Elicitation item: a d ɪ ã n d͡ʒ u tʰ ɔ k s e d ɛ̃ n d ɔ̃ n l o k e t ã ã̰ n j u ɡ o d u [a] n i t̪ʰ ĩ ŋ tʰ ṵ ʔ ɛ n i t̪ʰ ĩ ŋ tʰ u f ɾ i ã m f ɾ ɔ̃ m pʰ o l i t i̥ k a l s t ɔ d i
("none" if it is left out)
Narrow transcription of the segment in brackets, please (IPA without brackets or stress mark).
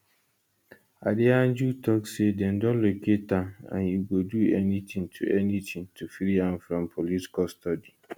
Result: ɛ